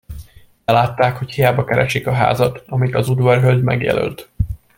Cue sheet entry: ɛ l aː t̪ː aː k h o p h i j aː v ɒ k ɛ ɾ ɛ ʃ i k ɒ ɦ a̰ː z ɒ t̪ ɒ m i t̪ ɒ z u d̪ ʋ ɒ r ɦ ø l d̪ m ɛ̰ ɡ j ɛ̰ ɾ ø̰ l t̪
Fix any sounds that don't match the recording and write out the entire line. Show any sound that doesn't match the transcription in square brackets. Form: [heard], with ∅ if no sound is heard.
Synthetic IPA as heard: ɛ l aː t̪ː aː k h o [c] h i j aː [b] ɒ k ɛ ɾ ɛ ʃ i k ɒ ɦ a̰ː z ɒ t̪ ɒ m i t̪ ɒ z u d̪ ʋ ɒ r ɦ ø l d̪ m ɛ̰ ɡ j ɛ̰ [l] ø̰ l t̪

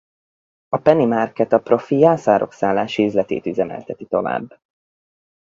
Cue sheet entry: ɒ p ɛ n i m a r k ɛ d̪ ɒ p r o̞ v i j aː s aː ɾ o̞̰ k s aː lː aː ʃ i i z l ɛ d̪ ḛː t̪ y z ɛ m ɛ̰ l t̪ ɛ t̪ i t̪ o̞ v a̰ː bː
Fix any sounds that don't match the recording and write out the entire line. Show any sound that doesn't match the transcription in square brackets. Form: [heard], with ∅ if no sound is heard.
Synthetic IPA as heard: ɒ p ɛ n i m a r k ɛ [t̪] ɒ p r o̞ [f] i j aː s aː ɾ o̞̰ k s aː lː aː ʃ i [y] z l ɛ [t̪] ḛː t̪ y z ɛ m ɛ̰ l t̪ ɛ t̪ i t̪ o̞ v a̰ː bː

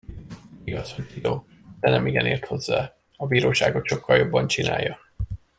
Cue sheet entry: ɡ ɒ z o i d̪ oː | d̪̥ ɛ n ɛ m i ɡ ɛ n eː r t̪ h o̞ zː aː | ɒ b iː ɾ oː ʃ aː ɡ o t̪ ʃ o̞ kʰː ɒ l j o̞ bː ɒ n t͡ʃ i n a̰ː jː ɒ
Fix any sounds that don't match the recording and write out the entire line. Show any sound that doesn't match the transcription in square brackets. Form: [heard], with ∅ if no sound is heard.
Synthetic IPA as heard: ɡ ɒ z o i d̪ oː | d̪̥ ɛ n ɛ m i ɡ ɛ n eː r t̪ h o̞ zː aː | ɒ b iː ɾ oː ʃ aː ɡ o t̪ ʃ o̞ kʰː ɒ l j o̞ bː ɒ n t͡ʃ i n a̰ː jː ɒ

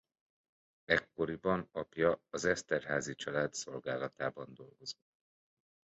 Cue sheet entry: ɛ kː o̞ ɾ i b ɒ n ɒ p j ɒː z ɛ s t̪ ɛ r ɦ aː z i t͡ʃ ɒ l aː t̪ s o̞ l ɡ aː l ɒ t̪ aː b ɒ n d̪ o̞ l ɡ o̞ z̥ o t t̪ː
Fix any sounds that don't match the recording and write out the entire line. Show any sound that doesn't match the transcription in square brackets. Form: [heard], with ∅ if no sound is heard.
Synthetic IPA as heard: ɛ kː o̞ ɾ i b ɒ n ɒ p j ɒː z ɛ s t̪ ɛ r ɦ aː z i t͡ʃ ɒ l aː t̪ s o̞ l ɡ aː l ɒ t̪ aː b ɒ n d̪ o̞ l ɡ o̞ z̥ o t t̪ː

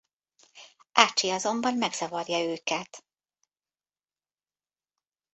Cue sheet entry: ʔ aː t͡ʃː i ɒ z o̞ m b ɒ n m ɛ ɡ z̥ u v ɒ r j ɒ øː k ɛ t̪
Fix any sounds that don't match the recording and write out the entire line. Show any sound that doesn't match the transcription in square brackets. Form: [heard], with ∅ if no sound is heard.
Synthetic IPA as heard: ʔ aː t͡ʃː i ɒ z o̞ m b ɒ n m ɛ ɡ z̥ [ɒ] v ɒ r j ɒ øː k ɛ t̪

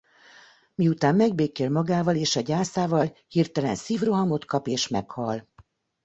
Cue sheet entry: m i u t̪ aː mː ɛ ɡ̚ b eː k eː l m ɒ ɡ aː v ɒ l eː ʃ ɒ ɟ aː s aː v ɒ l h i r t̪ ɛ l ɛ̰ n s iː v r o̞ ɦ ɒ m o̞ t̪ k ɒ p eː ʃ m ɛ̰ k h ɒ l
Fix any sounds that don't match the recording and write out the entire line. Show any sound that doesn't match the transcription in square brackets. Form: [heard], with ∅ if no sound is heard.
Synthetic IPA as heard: m i u t̪ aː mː ɛ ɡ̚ b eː k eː l m ɒ ɡ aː v ɒ l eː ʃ ɒ ɟ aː s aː v ɒ l h i r t̪ ɛ l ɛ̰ n s iː v r o̞ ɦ ɒ m o̞ t̪ k ɒ p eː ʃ m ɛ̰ k h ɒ l

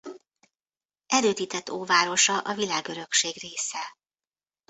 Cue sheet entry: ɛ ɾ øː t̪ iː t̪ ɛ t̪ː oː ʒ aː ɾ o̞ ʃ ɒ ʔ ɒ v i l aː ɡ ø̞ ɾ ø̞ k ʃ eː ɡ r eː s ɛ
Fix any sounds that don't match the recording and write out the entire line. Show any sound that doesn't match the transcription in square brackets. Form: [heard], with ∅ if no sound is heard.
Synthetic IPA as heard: ɛ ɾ øː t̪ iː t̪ ɛ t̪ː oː [v] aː ɾ o̞ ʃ ɒ ʔ ɒ v i l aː ɡ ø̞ ɾ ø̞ k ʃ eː ɡ r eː s ɛ

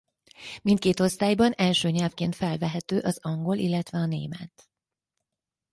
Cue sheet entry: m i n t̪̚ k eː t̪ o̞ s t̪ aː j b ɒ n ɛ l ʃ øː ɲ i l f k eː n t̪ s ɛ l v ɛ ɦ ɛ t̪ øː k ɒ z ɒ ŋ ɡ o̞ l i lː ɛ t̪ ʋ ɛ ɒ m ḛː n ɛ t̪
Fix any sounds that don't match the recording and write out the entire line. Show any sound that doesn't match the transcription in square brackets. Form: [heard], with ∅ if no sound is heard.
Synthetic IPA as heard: m i n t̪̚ k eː t̪ o̞ s t̪ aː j b ɒ n ɛ l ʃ øː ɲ [ɛ] l f k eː n t̪ [f] ɛ l v ɛ ɦ ɛ t̪ øː [ʔ] ɒ z ɒ ŋ ɡ o̞ l i lː ɛ t̪ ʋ ɛ ɒ [n] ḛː [m] ɛ t̪

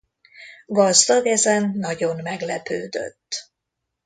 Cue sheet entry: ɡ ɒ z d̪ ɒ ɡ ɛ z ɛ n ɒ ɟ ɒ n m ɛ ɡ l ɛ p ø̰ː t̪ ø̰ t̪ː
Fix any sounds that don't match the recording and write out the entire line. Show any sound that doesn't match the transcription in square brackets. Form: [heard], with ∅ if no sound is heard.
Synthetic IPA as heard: ɡ ɒ z d̪ ɒ ɡ ɛ z ɛ [nː] ɒ ɟ [o] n m ɛ ɡ l ɛ p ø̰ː [d̪] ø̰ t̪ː

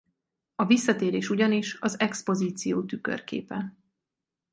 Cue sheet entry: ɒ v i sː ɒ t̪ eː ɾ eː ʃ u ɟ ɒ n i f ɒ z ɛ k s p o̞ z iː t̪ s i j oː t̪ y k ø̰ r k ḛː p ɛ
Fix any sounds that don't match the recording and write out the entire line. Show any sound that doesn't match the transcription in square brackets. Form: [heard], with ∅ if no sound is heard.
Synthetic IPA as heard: ɒ v i sː ɒ t̪ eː ɾ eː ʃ u ɟ ɒ n i [ʃ] ɒ z ɛ k s p o̞ z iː t̪ s i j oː t̪ y k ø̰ r k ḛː p ɛ

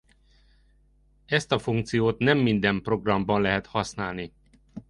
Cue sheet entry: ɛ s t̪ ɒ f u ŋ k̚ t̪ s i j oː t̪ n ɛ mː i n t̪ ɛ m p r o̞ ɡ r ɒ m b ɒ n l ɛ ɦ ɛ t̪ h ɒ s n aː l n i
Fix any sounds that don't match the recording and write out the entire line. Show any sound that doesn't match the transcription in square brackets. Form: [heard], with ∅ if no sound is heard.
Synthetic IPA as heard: ɛ s t̪ ɒ f u ŋ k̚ t̪ s i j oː t̪ n ɛ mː i n [d̪] ɛ m p r o̞ ɡ r ɒ m b ɒ n l ɛ ɦ ɛ t̪ h ɒ s n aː l n i

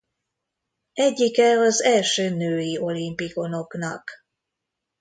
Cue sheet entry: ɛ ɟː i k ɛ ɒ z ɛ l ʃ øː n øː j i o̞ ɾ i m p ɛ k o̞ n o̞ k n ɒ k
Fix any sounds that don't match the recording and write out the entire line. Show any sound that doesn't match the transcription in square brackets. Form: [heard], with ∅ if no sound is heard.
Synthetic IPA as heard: ɛ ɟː i k ɛ ɒ z ɛ l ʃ øː n øː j i o̞ [l] i m p [i] k o̞ n o̞ k n ɒ k

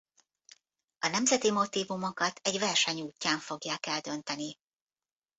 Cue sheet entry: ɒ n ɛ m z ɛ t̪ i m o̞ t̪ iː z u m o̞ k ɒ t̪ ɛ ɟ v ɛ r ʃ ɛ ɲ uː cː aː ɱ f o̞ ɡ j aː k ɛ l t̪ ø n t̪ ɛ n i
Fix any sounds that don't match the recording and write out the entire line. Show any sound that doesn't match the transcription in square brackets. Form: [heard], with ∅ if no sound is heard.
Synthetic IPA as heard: ɒ n ɛ m z ɛ t̪ i m o̞ t̪ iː [v] u m o̞ k ɒ t̪ ɛ ɟ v ɛ r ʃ ɛ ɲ uː cː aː ɱ f o̞ ɡ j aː k ɛ l [d̪] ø n t̪ ɛ n i

